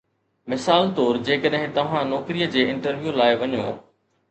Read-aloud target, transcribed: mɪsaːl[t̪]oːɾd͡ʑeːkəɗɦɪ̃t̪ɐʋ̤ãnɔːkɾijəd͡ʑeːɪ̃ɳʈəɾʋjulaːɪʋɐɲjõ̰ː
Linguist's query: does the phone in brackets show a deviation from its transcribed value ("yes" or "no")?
no